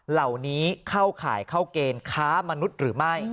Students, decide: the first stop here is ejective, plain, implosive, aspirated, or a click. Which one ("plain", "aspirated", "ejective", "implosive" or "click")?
aspirated